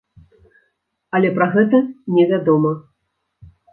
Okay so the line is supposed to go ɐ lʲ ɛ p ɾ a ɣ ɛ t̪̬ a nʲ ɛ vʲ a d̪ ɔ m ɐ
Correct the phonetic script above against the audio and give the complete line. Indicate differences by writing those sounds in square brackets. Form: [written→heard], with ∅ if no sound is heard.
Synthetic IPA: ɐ lʲ ɛ p ɾ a ɣ ɛ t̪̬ [a→ɐ] nʲ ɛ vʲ a d̪ ɔ m ɐ